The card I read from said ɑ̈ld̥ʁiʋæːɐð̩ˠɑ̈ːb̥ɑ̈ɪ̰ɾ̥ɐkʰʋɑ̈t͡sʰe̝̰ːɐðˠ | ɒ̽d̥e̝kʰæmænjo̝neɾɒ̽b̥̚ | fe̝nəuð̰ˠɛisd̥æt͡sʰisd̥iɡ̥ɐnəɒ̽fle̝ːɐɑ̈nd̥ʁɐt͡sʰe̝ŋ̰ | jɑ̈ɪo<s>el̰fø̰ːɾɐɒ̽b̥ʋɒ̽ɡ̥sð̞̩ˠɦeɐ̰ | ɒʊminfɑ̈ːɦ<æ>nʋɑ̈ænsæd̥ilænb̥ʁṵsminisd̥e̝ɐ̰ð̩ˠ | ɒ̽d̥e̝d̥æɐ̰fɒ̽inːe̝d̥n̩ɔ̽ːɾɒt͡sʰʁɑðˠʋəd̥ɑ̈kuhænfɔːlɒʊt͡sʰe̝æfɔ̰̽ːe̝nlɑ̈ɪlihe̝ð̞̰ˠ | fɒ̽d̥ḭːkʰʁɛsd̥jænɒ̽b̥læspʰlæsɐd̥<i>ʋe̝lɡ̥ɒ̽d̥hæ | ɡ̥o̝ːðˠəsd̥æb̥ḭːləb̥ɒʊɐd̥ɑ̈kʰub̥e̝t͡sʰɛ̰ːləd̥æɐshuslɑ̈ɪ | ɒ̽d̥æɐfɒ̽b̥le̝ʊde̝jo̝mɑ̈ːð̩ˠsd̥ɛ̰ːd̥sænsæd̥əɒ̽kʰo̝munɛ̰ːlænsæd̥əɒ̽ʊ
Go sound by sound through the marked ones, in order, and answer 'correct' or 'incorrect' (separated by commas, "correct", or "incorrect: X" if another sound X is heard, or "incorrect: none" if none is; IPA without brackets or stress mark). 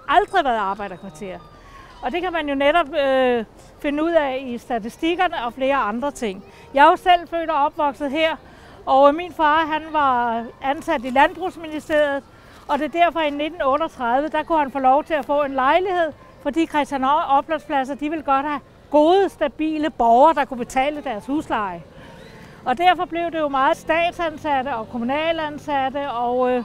correct, correct, correct